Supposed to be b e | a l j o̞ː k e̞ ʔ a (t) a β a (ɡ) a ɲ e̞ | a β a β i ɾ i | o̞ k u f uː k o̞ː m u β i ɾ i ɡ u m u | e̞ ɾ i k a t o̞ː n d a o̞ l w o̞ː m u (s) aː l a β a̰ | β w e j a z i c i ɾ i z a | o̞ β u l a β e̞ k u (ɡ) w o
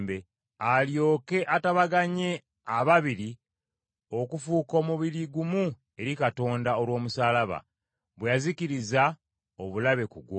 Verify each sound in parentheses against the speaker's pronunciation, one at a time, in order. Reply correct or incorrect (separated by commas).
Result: correct, correct, correct, correct